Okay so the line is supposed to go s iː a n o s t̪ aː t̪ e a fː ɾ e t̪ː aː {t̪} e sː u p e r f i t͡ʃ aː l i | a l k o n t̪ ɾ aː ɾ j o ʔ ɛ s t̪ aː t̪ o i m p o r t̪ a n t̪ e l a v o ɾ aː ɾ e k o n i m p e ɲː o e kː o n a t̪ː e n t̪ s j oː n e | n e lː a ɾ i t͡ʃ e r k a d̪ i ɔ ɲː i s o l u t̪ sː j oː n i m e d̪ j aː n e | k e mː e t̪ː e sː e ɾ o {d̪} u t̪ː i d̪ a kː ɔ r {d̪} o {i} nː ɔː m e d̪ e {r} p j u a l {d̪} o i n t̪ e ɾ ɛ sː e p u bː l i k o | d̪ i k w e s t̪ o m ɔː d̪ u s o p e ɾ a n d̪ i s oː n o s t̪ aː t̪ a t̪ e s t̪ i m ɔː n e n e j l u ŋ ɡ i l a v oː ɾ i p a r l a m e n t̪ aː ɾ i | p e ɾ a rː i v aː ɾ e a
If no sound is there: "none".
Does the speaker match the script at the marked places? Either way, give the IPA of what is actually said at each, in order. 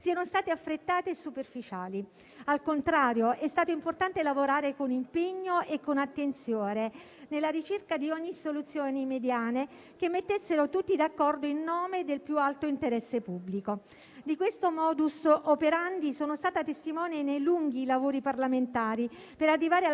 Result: t̪, t̪, d̪, i, l, t̪

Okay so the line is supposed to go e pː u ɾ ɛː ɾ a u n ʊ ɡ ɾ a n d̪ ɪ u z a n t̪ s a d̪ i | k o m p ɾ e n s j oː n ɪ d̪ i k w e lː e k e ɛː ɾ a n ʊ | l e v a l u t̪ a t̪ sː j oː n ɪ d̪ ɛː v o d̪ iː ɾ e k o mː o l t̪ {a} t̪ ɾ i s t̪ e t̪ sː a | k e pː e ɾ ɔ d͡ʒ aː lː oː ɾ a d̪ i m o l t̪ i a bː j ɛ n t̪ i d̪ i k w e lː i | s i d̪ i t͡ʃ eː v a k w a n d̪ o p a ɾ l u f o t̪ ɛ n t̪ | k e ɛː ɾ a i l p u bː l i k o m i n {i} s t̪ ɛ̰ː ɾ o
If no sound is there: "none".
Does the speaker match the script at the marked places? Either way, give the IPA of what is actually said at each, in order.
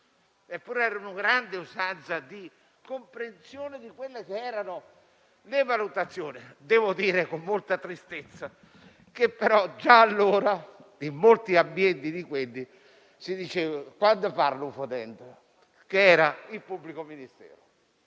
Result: a, i

